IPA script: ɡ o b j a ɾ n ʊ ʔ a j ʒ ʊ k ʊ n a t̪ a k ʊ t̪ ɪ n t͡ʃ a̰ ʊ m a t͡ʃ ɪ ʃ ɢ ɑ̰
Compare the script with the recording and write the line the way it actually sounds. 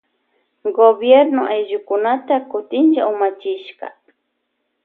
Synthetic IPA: ɡ o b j e ɾ n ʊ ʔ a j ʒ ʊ k ʊ n a t̪ a k ʊ t̪ ɪ n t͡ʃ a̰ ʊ m a t͡ʃ ɪ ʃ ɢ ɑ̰